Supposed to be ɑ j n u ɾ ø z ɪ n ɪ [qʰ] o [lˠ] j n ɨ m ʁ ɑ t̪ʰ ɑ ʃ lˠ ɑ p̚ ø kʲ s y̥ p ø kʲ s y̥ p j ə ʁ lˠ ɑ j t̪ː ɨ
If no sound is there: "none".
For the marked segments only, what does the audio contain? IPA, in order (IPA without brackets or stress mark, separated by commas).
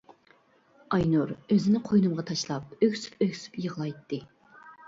qʰ, none